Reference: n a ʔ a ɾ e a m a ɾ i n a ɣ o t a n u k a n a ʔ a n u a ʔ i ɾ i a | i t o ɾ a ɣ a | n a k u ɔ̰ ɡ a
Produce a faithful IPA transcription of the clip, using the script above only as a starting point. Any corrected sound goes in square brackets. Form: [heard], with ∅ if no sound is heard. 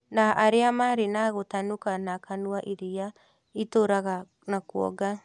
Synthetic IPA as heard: n a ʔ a ɾ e a m a ɾ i n a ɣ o t a n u k a n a [k] a n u a ʔ i ɾ i a | i t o ɾ a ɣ a | n a k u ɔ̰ ɡ a